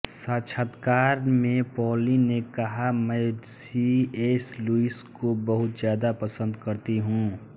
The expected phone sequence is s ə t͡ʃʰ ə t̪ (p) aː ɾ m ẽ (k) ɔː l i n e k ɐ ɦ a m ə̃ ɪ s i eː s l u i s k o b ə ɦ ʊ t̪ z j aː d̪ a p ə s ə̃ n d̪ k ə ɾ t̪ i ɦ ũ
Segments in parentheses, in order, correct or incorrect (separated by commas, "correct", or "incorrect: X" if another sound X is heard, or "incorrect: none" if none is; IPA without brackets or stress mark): incorrect: k, incorrect: p